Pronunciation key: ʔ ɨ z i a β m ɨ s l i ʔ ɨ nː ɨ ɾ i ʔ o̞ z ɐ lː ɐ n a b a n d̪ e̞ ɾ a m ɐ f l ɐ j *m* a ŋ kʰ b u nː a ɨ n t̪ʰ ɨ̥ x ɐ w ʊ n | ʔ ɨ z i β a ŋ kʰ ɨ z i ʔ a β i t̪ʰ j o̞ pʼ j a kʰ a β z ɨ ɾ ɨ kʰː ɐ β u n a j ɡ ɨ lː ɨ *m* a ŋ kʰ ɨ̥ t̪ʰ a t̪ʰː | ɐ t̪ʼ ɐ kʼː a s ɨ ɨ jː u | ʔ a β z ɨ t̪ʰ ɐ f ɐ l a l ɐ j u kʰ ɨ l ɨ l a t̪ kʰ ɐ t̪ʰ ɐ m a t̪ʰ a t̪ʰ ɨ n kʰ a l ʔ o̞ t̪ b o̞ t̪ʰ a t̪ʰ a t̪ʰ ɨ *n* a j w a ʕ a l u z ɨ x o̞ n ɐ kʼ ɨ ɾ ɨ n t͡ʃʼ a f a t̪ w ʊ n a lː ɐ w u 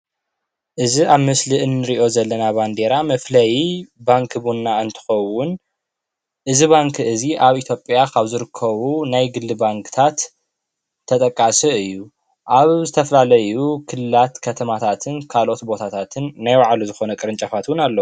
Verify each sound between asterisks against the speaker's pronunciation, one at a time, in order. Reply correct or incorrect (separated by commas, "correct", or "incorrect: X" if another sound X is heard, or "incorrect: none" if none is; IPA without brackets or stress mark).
incorrect: b, incorrect: b, incorrect: nː